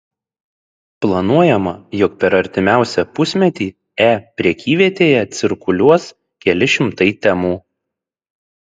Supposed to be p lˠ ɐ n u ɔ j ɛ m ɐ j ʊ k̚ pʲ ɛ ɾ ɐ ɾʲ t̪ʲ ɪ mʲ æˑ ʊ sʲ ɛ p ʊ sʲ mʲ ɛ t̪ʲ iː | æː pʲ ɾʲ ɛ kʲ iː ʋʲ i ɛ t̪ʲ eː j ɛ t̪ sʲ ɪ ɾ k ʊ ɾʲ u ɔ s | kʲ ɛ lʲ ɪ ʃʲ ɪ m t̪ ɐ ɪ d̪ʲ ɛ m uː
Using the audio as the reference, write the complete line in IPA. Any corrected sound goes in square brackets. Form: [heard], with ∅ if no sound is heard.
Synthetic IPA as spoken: p lˠ ɐ n u ɔ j ɛ m ɐ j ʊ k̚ pʲ ɛ ɾ ɐ ɾʲ t̪ʲ ɪ mʲ æˑ ʊ sʲ ɛ p ʊ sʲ mʲ ɛ t̪ʲ iː | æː pʲ ɾʲ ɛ kʲ iː ʋʲ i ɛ t̪ʲ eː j ɛ t̪ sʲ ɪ ɾ k ʊ [lʲ] u ɔ s | kʲ ɛ lʲ ɪ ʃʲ ɪ m t̪ ɐ ɪ [t̪ʲ] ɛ m uː